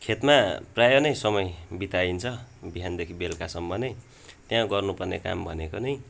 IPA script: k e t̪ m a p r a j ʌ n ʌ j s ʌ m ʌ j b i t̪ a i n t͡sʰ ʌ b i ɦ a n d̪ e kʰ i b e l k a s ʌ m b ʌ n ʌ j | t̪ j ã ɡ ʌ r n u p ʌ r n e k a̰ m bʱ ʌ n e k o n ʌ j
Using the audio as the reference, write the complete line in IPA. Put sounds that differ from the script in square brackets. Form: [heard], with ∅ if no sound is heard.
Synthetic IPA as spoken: [kʰ] e t̪ m a p r a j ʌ n ʌ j s ʌ m ʌ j b i t̪ a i n t͡sʰ ʌ b i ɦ a n d̪ e kʰ i b e l k a s ʌ m b ʌ n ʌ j | t̪ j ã ɡ ʌ r n u p ʌ r n e k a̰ m bʱ ʌ n e k o n ʌ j